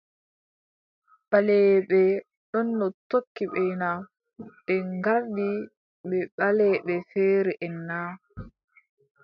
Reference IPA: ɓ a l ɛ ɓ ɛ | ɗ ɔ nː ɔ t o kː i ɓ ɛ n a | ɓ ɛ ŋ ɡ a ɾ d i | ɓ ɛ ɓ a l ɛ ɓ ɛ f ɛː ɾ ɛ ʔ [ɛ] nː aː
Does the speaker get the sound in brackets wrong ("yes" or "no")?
no